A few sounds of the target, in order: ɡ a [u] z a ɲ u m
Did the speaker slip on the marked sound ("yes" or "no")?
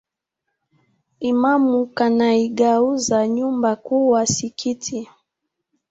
no